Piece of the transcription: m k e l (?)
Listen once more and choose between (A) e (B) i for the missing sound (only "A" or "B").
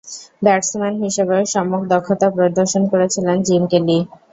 B